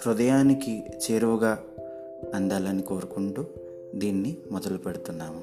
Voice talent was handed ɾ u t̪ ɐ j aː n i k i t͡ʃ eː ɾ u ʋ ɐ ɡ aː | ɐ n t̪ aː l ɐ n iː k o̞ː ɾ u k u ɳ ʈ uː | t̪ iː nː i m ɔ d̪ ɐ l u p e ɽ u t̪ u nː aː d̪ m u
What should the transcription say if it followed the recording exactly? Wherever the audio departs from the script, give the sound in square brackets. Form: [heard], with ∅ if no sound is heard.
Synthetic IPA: ɾ u [d̪] ɐ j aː n i k i t͡ʃ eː ɾ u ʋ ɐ ɡ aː | ɐ n [d̪] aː l ɐ n [i] k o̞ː ɾ u k u ɳ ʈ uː | [d̪] iː nː i m ɔ d̪ ɐ l u p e ɽ u t̪ u nː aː [∅] m u